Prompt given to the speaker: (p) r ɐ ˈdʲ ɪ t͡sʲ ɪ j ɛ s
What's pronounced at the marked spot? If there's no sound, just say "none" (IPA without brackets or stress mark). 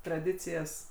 t